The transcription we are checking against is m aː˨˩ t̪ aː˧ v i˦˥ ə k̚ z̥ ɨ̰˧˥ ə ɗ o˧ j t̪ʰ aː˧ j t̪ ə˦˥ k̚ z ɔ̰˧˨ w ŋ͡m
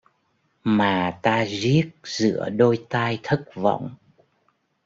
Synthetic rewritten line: m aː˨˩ t̪ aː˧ z i˦˥ ə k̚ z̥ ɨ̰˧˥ ə ɗ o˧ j t̪ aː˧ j t̪ʰ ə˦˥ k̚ v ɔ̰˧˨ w ŋ͡m